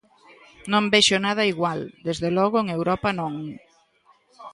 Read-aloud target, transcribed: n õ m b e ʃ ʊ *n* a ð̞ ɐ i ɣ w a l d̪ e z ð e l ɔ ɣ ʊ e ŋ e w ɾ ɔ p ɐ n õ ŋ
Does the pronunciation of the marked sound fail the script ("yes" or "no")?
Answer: no